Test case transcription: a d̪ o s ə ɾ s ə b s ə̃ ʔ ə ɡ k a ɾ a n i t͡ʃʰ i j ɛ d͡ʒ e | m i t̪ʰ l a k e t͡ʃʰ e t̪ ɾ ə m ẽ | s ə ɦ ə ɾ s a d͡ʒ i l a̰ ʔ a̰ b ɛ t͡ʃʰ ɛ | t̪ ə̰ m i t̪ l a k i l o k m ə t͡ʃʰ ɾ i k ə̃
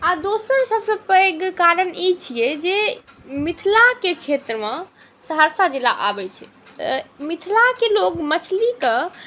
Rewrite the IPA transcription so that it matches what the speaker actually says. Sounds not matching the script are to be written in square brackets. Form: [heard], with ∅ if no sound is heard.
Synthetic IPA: a d̪ o s ə ɾ s ə b s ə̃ [p] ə ɡ k a ɾ [ə] n i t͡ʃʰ i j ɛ d͡ʒ e | m i t̪ʰ l a k e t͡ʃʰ e t̪ ɾ ə m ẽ | s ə ɦ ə ɾ s a d͡ʒ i l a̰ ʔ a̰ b ɛ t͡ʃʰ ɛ | t̪ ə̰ m i [t̪ʰ] l a k [e] l o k m ə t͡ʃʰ [l] i k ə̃